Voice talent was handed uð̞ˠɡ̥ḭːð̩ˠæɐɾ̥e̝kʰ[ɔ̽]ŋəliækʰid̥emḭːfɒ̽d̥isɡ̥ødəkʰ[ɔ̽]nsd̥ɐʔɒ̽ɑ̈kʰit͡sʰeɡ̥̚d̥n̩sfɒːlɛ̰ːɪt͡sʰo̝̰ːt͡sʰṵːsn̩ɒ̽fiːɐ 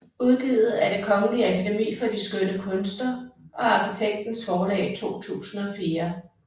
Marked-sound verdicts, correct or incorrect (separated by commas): incorrect, correct